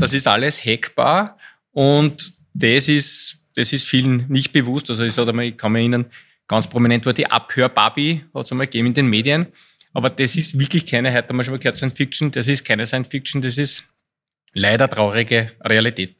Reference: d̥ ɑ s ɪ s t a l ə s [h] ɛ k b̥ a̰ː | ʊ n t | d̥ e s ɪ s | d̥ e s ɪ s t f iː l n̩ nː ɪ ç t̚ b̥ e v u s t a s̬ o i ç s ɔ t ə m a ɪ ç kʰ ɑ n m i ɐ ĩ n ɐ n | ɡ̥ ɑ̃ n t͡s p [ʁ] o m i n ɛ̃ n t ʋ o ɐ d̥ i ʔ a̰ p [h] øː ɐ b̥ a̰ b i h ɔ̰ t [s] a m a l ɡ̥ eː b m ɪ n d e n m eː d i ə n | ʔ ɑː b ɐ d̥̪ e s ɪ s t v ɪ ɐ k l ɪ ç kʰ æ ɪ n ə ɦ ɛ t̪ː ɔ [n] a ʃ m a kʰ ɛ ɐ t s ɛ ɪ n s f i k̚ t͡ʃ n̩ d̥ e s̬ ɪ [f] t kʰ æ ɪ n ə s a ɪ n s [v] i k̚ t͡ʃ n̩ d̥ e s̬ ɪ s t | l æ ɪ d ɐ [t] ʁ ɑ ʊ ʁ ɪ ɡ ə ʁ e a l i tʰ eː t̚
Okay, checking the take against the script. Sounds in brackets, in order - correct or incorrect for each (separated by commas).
correct, correct, correct, correct, incorrect, incorrect, incorrect, correct